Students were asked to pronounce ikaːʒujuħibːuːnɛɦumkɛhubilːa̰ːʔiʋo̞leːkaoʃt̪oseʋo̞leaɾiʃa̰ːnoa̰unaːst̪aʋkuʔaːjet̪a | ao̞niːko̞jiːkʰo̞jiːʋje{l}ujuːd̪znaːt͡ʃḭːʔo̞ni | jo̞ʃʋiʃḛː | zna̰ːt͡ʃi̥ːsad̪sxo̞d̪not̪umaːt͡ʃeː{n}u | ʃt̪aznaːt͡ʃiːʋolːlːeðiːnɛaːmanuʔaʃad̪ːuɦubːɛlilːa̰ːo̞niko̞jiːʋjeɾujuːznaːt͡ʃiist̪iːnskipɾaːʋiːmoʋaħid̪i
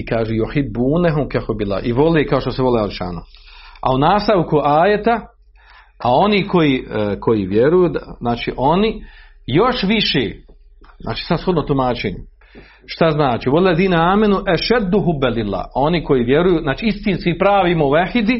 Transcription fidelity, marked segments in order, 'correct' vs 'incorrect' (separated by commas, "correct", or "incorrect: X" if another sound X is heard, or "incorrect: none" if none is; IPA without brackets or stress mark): incorrect: ɾ, incorrect: ɲ